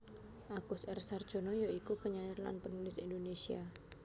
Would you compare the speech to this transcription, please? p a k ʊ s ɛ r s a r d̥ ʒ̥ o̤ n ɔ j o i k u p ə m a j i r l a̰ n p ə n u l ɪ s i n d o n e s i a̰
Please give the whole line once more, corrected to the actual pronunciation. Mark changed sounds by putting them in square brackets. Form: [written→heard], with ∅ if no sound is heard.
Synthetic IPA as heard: [p→ʔ] a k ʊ s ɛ r s a r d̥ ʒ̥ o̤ n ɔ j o i k u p ə [m→ɲ] a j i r l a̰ n p ə n u l ɪ s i n d o n e s i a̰